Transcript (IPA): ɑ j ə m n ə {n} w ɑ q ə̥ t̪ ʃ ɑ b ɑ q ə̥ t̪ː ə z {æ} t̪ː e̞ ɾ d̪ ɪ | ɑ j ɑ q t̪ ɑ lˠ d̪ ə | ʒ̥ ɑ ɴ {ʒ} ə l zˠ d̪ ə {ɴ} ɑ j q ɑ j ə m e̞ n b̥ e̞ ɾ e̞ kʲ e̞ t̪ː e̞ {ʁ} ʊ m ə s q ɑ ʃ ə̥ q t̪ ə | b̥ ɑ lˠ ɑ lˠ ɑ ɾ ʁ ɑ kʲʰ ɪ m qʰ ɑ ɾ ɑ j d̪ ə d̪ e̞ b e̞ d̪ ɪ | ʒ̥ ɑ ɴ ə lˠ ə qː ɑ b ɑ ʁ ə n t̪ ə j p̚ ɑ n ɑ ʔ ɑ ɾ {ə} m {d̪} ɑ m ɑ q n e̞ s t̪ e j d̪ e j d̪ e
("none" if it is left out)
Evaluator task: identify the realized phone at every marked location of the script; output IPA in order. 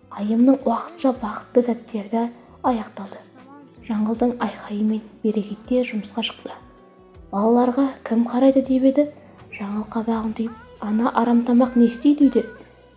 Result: ɴ, æ, ʁ, ɴ, ʒ, ɑ, t̪

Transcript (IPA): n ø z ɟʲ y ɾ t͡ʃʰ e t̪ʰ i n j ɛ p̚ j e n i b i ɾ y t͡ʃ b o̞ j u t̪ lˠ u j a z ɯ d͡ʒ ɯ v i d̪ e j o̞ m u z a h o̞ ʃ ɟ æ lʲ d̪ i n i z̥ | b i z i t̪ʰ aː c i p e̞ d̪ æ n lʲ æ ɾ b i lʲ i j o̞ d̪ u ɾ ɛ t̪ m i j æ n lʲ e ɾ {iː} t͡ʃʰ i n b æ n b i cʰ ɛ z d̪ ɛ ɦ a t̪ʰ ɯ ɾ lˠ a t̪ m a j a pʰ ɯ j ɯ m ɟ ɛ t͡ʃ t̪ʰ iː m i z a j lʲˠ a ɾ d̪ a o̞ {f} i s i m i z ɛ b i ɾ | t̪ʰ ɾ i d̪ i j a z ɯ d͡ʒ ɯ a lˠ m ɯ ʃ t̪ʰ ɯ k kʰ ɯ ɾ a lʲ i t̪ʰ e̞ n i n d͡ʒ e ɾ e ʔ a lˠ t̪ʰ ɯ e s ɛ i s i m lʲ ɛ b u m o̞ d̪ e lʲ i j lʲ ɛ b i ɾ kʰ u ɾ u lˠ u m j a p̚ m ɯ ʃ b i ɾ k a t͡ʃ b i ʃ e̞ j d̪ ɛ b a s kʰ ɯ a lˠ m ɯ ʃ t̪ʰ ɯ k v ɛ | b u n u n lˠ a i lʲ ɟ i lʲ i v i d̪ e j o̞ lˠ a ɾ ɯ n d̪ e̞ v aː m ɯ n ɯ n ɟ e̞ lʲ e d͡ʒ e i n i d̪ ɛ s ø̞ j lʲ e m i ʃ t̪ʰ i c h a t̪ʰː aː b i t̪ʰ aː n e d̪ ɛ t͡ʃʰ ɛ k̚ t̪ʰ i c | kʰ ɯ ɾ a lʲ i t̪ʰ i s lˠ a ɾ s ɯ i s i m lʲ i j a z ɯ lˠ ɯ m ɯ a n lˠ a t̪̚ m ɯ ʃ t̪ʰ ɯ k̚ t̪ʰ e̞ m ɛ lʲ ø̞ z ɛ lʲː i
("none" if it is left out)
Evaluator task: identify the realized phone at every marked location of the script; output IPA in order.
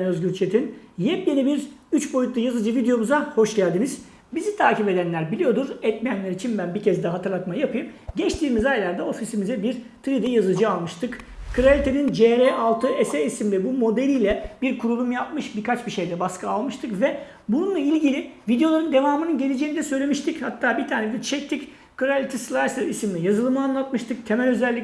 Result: i, f

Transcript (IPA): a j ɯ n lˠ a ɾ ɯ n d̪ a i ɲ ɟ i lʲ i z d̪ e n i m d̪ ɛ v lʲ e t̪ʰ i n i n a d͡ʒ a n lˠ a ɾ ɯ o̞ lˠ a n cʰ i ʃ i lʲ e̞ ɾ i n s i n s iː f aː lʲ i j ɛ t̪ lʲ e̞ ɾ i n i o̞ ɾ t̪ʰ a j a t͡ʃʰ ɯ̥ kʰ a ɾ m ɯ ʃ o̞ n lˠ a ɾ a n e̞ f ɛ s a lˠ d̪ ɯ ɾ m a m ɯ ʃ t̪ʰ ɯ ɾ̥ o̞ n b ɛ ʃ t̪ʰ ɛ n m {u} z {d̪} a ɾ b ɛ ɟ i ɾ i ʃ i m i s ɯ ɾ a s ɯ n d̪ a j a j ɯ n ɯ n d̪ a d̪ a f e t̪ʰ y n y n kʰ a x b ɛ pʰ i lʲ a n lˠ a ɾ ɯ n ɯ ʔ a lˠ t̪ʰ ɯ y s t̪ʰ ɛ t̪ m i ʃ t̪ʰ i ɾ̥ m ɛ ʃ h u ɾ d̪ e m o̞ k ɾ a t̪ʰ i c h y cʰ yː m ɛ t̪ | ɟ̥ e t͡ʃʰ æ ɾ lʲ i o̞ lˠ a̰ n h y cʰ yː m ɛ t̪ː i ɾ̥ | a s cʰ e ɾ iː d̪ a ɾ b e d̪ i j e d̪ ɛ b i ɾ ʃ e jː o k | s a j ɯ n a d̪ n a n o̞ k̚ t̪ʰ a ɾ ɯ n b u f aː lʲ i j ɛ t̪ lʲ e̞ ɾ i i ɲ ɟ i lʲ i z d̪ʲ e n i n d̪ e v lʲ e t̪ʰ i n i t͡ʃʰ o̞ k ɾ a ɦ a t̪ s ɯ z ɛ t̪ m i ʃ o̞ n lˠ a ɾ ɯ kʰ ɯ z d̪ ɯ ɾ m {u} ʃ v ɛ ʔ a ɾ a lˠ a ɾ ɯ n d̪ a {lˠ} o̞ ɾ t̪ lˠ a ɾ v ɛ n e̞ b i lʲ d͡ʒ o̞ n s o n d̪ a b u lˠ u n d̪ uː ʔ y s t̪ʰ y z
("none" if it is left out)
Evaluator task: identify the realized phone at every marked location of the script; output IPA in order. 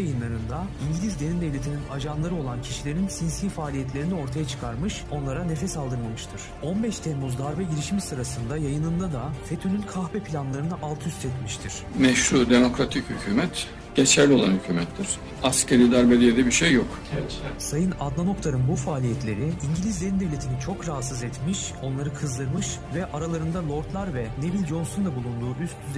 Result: u, d̪, ɯ, lˠ

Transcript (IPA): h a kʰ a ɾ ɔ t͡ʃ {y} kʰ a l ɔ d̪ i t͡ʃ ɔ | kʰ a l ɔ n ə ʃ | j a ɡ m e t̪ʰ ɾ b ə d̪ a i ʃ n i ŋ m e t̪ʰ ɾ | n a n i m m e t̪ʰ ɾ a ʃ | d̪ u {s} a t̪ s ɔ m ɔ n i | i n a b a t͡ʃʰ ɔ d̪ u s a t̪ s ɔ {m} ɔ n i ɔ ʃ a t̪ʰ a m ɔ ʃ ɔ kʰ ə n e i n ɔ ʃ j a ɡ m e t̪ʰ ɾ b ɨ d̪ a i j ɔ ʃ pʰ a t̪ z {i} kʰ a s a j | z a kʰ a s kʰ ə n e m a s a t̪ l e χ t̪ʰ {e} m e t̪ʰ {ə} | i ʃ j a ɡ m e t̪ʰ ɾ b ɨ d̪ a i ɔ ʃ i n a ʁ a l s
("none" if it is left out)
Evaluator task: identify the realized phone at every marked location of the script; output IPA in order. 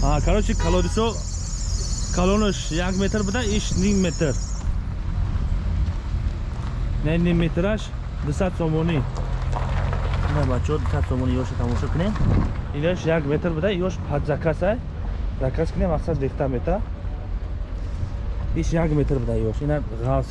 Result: i, s, m, a, a, a

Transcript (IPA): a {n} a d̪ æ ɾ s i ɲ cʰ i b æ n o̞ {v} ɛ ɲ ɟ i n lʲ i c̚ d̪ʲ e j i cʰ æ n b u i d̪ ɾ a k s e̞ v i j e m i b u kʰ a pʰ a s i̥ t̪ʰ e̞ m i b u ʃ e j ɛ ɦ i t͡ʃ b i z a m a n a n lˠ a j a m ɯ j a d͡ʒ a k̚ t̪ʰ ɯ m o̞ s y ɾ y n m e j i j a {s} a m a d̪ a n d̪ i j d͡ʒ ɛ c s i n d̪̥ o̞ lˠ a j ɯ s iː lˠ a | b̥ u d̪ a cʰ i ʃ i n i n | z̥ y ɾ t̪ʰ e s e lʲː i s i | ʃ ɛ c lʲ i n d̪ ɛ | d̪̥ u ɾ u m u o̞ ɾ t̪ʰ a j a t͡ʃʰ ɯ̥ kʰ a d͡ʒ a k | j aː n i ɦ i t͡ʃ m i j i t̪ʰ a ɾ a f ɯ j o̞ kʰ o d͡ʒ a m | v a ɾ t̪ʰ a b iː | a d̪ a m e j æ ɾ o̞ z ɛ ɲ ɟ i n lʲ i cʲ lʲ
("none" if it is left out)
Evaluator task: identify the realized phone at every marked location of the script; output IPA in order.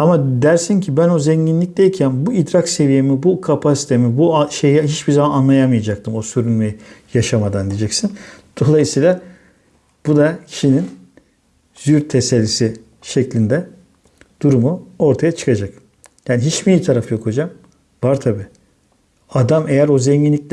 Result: m, z, ʃ

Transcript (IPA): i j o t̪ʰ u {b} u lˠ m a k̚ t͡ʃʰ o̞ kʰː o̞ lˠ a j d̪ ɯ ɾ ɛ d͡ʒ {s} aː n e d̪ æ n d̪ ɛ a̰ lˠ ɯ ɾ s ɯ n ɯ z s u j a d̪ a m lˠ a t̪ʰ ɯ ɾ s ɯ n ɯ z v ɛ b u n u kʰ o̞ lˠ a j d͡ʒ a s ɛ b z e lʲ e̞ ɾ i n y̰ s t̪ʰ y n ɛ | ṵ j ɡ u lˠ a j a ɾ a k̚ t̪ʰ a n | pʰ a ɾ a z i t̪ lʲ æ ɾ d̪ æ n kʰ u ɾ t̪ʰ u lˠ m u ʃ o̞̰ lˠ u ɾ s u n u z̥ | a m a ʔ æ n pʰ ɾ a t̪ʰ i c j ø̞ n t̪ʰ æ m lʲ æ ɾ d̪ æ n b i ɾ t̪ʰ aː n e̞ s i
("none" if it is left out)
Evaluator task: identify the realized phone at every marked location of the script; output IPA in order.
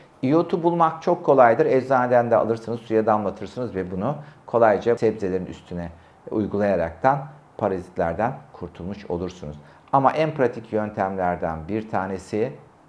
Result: b, z

